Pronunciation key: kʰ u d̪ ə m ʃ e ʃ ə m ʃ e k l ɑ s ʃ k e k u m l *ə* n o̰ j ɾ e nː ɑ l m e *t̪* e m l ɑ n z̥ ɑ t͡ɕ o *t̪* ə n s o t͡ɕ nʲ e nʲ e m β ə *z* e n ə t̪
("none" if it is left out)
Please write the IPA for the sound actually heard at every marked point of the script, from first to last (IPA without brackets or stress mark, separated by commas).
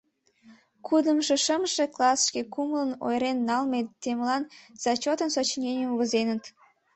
ə, t̪, t̪, z